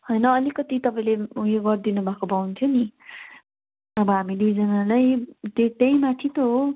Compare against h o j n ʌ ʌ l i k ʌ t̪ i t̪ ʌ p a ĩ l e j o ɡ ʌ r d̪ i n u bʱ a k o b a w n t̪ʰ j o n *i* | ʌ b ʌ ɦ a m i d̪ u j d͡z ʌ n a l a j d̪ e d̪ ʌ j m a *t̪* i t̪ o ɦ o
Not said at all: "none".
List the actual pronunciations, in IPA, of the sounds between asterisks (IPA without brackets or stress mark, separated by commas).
i, t̪ʰ